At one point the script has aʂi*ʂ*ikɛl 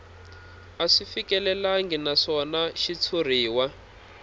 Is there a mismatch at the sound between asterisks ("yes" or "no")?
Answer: yes